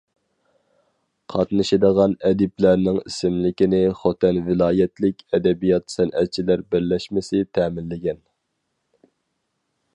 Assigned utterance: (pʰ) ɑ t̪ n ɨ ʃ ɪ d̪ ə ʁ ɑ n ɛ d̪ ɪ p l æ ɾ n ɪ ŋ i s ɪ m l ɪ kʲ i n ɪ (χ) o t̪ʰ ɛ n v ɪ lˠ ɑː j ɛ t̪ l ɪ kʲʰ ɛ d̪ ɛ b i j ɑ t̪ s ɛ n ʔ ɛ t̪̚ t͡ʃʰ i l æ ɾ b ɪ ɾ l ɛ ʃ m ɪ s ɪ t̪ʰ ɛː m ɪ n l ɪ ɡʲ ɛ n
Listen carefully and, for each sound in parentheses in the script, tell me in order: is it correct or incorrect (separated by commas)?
incorrect, correct